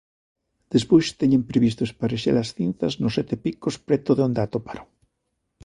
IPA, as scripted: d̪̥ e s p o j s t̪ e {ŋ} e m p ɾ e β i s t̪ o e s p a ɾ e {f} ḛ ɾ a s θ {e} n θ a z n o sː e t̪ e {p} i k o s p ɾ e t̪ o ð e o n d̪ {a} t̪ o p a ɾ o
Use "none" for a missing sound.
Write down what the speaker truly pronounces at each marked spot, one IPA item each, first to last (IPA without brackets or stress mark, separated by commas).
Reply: ɲ, ʃ, i, p, a